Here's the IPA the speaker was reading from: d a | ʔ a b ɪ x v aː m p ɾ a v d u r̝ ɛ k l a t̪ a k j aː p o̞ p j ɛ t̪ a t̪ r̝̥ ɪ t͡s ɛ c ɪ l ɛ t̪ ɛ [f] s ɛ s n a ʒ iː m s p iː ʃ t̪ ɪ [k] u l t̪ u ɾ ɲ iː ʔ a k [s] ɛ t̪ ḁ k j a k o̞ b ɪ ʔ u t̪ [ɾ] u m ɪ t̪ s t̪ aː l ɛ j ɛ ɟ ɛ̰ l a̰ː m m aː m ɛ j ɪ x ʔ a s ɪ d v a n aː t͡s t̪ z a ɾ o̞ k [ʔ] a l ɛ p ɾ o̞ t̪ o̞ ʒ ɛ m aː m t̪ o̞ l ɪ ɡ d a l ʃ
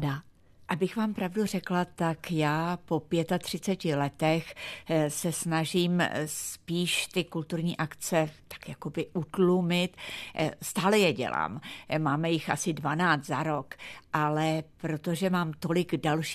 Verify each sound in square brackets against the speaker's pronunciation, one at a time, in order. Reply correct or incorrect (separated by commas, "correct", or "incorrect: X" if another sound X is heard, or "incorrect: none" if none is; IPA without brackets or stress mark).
incorrect: x, correct, incorrect: t͡s, incorrect: l, correct